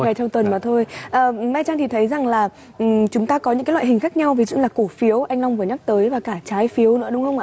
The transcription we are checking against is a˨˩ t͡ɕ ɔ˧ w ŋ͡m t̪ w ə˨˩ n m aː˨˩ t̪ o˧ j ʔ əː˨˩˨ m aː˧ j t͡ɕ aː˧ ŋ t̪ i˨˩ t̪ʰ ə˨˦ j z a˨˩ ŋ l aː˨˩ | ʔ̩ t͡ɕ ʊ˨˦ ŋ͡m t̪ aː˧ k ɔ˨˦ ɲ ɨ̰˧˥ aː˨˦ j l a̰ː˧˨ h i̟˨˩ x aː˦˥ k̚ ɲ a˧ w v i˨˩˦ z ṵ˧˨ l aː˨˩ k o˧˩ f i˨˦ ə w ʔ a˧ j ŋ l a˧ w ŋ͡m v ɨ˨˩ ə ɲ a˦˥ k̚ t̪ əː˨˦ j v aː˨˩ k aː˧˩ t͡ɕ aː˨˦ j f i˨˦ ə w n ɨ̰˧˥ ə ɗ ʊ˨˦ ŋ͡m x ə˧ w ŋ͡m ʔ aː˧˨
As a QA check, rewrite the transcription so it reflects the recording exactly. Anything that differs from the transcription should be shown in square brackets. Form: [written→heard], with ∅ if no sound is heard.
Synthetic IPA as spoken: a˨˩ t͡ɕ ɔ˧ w ŋ͡m t̪ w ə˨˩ n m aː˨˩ [t̪→t̪ʰ] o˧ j ʔ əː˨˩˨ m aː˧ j t͡ɕ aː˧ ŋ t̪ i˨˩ t̪ʰ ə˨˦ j z a˨˩ ŋ l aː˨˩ | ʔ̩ t͡ɕ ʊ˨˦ ŋ͡m t̪ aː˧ k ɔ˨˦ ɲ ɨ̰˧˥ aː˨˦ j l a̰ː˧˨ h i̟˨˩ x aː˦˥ k̚ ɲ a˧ w v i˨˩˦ z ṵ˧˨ l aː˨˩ k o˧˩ f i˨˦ ə w ʔ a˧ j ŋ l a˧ w ŋ͡m v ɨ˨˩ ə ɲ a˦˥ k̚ t̪ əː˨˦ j v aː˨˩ k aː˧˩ t͡ɕ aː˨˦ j f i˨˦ ə w n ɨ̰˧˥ ə ɗ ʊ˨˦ ŋ͡m x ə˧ w ŋ͡m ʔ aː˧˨